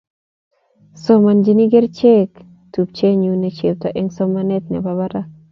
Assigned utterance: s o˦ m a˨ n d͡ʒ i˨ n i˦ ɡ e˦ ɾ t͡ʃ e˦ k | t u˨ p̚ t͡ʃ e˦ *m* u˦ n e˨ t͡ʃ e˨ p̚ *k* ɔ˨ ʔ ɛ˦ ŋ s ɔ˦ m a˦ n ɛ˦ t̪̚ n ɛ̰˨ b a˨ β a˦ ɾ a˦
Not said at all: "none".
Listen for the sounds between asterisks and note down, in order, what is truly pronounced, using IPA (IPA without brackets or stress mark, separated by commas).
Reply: ɲ, t